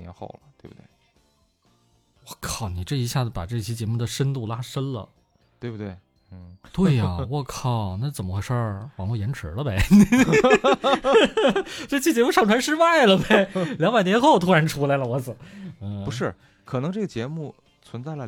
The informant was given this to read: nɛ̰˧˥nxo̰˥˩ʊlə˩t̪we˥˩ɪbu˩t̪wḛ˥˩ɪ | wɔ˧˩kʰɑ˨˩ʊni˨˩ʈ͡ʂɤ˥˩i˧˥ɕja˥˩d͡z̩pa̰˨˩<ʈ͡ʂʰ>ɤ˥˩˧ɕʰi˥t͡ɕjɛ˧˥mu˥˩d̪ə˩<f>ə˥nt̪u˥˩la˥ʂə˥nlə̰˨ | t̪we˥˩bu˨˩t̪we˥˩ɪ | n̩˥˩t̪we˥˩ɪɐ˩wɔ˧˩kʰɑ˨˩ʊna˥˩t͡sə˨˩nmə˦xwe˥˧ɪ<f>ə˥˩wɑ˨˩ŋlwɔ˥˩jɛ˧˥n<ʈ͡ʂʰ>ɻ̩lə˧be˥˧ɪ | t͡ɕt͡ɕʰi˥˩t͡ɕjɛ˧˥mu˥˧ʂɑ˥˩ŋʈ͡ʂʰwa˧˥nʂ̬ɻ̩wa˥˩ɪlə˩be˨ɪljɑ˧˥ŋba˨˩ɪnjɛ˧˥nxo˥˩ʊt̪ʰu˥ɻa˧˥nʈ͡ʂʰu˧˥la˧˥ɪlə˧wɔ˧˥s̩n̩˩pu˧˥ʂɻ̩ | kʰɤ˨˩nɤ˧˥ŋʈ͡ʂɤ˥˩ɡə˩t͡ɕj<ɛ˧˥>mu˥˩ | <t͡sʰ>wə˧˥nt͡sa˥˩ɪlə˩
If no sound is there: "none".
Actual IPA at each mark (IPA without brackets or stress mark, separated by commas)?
ʈ͡ʂ, ʂ, ʂ, ʈ͡ʂʰ, ɛ˧˥, t͡sʰ